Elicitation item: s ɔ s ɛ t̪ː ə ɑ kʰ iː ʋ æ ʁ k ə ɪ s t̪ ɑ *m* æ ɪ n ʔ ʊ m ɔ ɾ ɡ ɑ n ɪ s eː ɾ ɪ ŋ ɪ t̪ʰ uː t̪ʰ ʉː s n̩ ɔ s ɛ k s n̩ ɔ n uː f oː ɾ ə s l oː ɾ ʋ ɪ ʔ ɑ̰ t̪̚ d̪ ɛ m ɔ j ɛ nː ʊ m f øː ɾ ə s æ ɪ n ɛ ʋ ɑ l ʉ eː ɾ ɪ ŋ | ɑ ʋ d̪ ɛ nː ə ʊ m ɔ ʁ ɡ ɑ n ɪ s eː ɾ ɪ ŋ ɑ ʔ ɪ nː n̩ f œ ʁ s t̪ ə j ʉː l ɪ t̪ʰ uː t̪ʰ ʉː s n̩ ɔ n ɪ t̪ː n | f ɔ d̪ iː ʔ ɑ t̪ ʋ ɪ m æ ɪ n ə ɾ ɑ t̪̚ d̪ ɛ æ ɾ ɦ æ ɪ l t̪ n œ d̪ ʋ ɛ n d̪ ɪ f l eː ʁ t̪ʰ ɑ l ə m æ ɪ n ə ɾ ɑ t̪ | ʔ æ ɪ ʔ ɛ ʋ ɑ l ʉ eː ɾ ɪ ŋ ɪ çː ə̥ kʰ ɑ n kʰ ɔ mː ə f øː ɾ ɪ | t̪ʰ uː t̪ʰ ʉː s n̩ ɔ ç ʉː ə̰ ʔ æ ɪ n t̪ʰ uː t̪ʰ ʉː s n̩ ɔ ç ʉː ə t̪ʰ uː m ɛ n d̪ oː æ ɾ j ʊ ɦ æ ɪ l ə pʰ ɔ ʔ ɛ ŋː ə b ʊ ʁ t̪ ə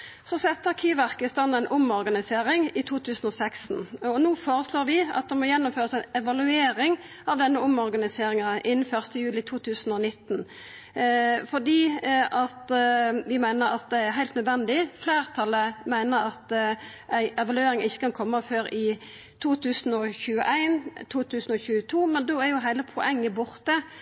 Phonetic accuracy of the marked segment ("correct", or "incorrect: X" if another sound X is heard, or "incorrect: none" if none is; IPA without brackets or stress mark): incorrect: n